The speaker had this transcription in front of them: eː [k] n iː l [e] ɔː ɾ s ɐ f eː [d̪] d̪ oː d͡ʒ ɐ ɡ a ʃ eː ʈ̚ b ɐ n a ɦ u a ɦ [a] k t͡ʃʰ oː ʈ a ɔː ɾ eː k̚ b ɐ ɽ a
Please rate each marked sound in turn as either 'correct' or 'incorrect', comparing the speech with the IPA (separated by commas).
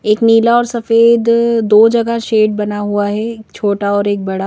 correct, incorrect, correct, incorrect